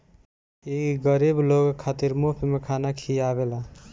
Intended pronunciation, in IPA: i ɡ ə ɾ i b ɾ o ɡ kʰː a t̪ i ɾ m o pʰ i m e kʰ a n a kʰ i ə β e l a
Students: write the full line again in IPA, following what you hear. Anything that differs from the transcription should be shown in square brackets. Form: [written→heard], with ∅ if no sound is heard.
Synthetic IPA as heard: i ɡ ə ɾ i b [ɾ→l] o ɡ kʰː a t̪ i ɾ m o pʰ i m e kʰ a n a kʰ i [ə→a] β e l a